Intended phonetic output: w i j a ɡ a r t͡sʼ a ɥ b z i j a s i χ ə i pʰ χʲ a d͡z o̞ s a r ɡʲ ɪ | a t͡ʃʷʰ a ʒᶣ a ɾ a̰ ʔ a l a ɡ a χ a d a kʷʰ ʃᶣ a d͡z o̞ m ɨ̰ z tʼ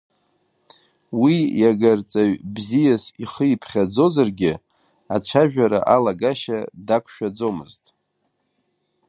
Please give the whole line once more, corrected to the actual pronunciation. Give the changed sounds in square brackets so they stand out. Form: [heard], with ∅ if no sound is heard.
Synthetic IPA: w i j a ɡ a r t͡sʼ a ɥ b z i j a s i χ ə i pʰ χʲ a d͡z o̞ [z] a r ɡʲ ɪ | a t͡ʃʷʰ a ʒᶣ a ɾ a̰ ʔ a l a ɡ a [ʃ] a d a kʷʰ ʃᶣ a d͡z o̞ m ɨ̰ z tʼ